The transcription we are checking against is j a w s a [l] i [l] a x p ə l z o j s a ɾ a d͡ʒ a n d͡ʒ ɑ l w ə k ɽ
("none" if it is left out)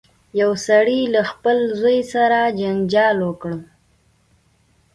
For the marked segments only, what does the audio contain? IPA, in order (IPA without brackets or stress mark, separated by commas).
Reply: ɽ, l